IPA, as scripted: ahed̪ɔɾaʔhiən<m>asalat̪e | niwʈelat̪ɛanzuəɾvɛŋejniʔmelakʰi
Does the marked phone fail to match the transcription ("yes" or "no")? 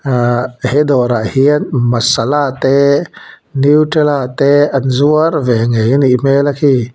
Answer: no